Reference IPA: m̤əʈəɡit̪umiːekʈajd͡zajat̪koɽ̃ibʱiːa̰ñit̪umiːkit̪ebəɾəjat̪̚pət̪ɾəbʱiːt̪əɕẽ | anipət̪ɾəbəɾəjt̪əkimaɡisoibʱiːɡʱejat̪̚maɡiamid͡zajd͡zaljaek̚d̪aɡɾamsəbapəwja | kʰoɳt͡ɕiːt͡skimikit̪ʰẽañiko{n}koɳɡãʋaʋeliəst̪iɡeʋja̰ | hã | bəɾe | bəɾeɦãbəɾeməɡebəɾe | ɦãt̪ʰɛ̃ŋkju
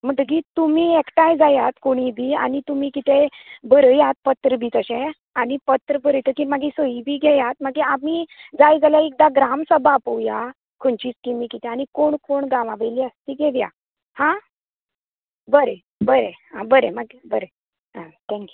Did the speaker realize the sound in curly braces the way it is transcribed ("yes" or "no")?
no